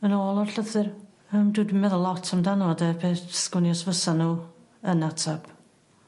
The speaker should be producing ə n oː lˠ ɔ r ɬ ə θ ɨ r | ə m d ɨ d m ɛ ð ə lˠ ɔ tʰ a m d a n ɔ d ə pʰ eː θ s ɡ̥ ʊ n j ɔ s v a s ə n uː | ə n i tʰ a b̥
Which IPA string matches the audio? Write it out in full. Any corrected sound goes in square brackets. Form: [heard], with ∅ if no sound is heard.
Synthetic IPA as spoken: ə n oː lˠ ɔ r ɬ ə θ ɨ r | ə m d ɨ d m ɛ ð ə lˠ ɔ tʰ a m d a n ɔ d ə pʰ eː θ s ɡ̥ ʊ n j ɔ s v [ə] s [a] n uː | ə n [a] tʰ a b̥